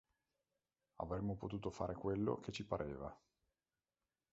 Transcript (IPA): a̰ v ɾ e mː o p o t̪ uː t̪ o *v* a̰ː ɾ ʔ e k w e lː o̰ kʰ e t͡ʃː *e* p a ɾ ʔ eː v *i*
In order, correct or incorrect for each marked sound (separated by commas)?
incorrect, incorrect, incorrect